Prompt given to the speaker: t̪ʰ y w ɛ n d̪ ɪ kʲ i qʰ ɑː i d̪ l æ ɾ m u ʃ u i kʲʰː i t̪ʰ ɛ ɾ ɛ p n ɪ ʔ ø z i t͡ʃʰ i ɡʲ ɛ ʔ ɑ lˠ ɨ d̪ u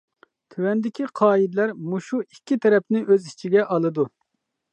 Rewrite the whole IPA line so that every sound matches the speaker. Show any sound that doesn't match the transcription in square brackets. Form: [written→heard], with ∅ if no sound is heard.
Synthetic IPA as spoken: t̪ʰ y w ɛ n d̪ ɪ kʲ i qʰ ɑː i d̪ l æ ɾ m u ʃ u i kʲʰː i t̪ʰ ɛ ɾ ɛ p n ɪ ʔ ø z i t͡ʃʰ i ɡʲ ɛ ʔ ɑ lˠ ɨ d̪ u